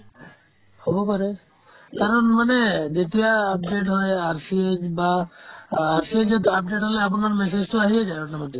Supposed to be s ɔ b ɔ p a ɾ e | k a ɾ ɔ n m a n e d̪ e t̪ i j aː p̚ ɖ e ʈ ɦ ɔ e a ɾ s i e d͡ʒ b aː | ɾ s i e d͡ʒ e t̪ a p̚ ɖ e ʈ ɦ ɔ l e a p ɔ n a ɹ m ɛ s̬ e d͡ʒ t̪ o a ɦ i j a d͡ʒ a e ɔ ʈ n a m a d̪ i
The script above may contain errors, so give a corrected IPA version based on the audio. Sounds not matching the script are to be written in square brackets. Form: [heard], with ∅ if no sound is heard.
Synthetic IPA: [h] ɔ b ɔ p a ɾ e | k a ɾ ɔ n m a n e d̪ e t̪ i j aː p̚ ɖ e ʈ ɦ ɔ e a ɾ s i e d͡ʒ b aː | ɾ s i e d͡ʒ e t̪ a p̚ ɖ e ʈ ɦ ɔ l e a p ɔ n a [ɾ] m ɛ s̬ e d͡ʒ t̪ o a ɦ i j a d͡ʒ a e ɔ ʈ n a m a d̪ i